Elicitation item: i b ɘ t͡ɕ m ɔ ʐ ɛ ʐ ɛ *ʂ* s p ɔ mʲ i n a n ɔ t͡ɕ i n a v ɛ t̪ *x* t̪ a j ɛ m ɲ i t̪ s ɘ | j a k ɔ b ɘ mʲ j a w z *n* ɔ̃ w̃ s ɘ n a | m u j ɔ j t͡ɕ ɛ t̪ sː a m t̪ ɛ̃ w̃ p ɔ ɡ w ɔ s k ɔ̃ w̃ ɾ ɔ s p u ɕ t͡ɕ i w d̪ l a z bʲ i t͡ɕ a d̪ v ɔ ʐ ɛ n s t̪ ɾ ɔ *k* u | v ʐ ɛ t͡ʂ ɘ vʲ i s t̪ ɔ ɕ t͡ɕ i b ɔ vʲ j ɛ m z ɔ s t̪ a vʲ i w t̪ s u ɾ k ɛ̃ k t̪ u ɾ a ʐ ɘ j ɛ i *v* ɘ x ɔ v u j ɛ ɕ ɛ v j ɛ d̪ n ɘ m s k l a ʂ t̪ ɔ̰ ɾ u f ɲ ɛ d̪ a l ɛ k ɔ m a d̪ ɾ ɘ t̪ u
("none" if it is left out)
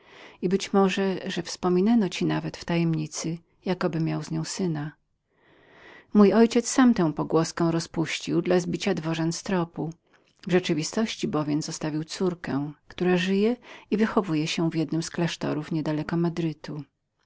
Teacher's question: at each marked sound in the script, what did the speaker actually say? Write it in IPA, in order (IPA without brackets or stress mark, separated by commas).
f, f, ɲ, p, v